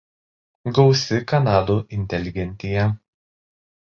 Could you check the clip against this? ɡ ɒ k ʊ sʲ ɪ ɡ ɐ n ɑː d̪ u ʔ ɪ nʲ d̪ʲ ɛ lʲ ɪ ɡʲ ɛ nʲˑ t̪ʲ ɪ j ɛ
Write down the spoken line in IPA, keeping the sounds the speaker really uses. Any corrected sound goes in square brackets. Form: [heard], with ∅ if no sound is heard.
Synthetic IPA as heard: ɡ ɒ [∅] ʊ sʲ ɪ [k] ɐ n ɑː d̪ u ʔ ɪ nʲ [t̪ʲ] ɛ lʲ ɪ ɡʲ ɛ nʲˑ t̪ʲ ɪ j ɛ

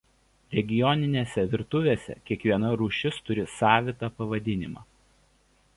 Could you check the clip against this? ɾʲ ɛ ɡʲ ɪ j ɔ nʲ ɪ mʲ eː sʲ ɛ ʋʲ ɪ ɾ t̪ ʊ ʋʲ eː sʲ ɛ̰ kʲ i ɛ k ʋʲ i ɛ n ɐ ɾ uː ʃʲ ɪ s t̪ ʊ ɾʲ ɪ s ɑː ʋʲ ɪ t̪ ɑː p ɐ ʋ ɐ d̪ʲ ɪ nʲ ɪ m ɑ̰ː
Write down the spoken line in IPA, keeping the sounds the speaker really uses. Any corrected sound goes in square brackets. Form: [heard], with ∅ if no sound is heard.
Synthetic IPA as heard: ɾʲ ɛ ɡʲ ɪ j ɔ nʲ ɪ [nʲ] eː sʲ ɛ ʋʲ ɪ ɾ t̪ ʊ ʋʲ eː sʲ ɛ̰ kʲ i ɛ k ʋʲ i ɛ n ɐ ɾ uː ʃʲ ɪ s t̪ ʊ ɾʲ ɪ s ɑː ʋʲ ɪ t̪ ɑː p ɐ ʋ ɐ d̪ʲ ɪ nʲ ɪ m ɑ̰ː

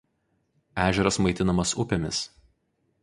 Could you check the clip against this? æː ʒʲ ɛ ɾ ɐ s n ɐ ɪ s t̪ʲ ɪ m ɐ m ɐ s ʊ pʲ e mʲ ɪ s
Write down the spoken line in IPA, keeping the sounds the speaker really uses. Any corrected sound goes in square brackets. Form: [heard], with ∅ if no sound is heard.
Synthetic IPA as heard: æː ʒʲ ɛ ɾ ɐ s [m] ɐ ɪ [∅] t̪ʲ ɪ [n] ɐ m ɐ s ʊ pʲ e mʲ ɪ s

